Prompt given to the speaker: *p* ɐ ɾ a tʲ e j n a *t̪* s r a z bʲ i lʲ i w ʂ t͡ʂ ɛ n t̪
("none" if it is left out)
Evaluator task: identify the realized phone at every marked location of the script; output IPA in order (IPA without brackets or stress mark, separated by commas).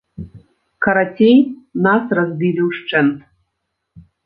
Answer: k, none